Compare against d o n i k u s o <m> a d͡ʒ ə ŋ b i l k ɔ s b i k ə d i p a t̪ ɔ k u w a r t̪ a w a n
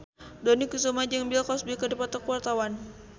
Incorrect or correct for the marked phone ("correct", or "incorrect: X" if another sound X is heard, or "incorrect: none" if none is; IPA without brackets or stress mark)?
correct